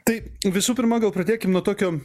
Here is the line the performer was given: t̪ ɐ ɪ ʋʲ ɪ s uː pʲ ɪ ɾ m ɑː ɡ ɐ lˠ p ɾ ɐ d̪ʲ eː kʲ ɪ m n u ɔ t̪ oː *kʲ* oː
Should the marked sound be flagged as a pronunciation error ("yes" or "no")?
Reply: no